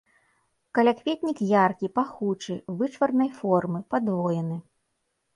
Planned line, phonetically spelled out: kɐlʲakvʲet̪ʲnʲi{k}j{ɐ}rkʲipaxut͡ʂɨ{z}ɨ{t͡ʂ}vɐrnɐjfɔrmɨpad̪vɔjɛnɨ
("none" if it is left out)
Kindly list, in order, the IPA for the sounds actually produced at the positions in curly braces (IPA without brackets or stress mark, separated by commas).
k, a, v, t͡ʂ